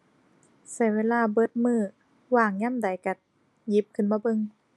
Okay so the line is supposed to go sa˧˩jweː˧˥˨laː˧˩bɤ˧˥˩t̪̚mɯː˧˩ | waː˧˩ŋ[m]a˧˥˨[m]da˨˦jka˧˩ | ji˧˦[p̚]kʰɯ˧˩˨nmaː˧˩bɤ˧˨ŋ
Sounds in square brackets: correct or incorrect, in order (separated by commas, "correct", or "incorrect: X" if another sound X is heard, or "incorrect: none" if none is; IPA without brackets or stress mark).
incorrect: ɲ, correct, correct